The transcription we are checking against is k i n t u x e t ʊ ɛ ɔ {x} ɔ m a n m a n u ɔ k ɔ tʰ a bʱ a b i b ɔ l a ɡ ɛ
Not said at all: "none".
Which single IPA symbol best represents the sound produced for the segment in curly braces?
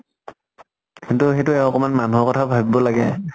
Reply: k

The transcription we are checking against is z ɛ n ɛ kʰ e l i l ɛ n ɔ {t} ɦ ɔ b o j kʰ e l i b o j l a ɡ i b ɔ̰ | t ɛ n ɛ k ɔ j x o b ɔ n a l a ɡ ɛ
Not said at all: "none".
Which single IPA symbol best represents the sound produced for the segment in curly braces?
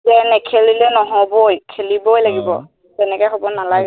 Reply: none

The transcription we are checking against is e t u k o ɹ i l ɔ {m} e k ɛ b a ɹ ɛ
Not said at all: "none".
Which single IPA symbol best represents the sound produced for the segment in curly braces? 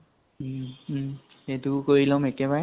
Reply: m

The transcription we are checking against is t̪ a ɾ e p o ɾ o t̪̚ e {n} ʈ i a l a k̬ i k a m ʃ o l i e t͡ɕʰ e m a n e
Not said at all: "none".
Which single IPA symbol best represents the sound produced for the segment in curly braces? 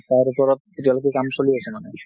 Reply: none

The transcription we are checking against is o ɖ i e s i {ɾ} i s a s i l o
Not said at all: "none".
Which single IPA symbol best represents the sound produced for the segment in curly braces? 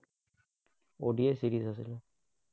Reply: ɾ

